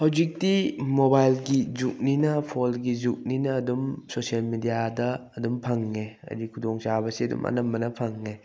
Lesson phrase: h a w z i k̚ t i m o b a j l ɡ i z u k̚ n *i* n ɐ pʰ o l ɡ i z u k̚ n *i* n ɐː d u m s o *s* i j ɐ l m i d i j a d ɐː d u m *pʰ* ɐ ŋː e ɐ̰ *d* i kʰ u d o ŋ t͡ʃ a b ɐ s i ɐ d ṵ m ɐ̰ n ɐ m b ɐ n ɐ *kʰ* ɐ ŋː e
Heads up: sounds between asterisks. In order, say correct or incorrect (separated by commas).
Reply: correct, correct, correct, correct, correct, incorrect